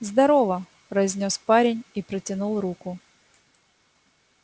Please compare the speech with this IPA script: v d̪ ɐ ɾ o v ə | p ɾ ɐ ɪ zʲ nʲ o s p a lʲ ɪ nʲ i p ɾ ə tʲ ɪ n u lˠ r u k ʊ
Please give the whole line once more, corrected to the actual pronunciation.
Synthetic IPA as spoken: z d̪ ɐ ɾ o v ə | p ɾ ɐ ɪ zʲ nʲ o s p a ɾʲ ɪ nʲ i p ɾ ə tʲ ɪ n u lˠ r u k ʊ